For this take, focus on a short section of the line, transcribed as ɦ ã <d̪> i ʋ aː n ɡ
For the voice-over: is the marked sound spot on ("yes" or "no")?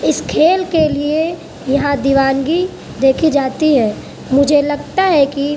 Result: yes